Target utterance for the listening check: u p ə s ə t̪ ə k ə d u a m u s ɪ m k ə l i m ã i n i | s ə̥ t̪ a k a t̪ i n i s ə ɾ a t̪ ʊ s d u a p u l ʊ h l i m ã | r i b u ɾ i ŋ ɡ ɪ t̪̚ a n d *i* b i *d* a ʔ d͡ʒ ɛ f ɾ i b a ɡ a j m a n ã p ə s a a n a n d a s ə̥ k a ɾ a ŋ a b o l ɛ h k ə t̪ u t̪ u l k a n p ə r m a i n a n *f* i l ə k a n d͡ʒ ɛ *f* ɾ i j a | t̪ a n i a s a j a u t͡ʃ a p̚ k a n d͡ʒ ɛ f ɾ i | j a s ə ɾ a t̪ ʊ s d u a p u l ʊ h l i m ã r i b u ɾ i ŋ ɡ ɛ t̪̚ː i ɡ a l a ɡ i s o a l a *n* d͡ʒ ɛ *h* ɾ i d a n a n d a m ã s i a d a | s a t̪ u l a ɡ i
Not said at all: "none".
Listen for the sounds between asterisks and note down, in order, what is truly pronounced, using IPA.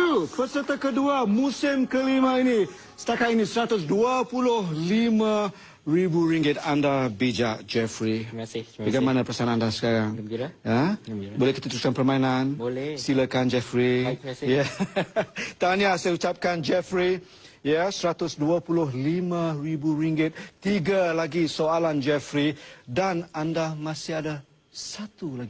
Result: a, d͡ʒ, s, f, n, f

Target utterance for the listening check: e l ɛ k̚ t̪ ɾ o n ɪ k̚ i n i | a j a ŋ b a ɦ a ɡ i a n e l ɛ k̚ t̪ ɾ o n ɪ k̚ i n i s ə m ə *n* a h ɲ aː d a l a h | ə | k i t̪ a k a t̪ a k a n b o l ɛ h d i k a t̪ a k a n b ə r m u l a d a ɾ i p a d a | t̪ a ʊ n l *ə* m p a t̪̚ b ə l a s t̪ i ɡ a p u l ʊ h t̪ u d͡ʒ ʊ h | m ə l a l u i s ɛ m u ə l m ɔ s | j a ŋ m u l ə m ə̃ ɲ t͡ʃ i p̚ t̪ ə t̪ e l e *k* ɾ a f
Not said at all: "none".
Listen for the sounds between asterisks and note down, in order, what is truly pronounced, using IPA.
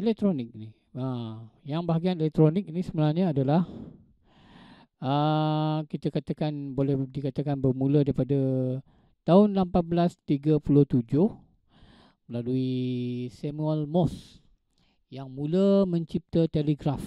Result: n, a, ɡ

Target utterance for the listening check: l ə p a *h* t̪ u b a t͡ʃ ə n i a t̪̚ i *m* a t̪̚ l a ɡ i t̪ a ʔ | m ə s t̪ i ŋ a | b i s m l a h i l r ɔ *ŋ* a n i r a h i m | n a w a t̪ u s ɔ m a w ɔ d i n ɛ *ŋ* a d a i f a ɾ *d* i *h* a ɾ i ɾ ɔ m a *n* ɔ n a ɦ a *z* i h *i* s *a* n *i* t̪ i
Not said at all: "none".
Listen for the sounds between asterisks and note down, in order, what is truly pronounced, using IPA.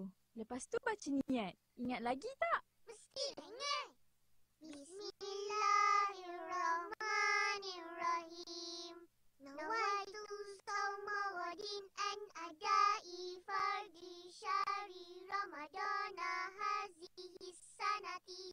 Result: s, ŋ, m, n, d, ʃ, d, z, i, a, a

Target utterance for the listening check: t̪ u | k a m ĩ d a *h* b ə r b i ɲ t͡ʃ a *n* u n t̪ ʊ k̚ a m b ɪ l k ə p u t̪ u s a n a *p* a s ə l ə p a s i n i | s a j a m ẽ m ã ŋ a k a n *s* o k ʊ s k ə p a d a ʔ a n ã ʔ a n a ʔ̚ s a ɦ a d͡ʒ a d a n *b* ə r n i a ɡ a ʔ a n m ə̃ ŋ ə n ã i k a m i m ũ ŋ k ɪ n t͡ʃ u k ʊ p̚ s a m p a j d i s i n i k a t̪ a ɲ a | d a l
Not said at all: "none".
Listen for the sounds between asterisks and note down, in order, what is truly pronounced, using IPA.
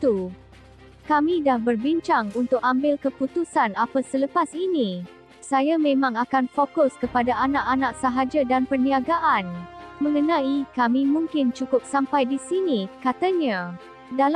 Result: h, ŋ, p, f, p

